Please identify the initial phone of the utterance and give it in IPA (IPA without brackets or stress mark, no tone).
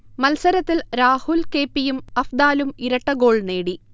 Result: m